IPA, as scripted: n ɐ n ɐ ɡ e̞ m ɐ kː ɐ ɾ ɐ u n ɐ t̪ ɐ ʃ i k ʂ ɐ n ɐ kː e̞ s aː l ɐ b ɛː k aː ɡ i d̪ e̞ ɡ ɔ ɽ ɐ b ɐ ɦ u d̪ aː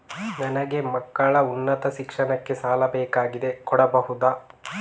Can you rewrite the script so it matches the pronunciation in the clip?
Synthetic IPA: n ɐ n ɐ ɡ e̞ m ɐ kː ɐ ɭ ɐ u nː ɐ t̪ ɐ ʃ i k ʂ ɐ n ɐ kː e̞ s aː l ɐ b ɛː k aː ɡ i d̪ e̞ k ɔ ɽ ɐ b ɐ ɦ u d̪ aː